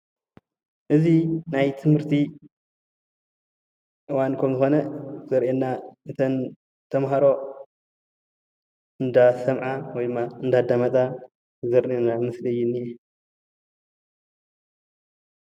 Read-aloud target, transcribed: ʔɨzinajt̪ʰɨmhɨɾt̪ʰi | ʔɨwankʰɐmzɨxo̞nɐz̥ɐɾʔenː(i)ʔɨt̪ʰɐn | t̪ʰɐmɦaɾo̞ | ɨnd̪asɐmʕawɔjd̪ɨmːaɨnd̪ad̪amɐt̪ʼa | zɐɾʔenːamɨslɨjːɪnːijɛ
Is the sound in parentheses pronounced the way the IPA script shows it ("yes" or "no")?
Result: no